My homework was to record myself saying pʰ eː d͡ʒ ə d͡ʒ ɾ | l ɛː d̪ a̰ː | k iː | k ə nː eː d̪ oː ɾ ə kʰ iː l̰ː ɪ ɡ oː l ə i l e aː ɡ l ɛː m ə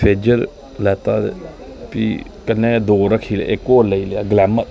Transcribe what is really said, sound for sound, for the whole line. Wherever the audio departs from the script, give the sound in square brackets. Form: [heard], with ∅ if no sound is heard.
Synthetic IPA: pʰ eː d͡ʒ ə [∅] ɾ | l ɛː [t̪] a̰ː | [p] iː | k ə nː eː d̪ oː ɾ ə kʰ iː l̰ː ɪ [k] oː l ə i l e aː ɡ l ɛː m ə